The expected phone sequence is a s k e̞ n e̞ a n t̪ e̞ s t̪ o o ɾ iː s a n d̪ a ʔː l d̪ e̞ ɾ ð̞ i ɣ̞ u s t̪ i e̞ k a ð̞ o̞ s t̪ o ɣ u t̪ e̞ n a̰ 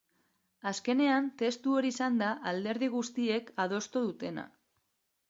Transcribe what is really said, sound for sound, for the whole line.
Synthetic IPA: a s k e̞ n e̞ a n t̪ e̞ s t̪ u o ɾ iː s a n d̪ a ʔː l d̪ e̞ ɾ ð̞ i ɣ̞ u s t̪ i e̞ k a ð̞ o̞ s t̪ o ð u t̪ e̞ n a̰